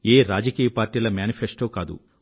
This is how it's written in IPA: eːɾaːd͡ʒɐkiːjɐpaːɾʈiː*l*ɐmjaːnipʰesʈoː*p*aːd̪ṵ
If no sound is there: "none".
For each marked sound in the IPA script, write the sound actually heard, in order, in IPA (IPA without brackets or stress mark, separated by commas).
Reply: l, k